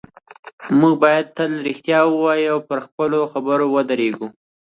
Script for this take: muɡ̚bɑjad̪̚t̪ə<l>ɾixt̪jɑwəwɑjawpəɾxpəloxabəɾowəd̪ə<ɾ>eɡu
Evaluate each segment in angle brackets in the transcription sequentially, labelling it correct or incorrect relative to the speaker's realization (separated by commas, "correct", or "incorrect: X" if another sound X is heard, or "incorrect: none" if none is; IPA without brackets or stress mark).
correct, correct